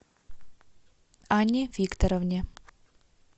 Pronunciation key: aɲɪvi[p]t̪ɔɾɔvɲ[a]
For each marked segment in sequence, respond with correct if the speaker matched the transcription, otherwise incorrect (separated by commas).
incorrect, incorrect